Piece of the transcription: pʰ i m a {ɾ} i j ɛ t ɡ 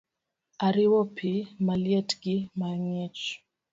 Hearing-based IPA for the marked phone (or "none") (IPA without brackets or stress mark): l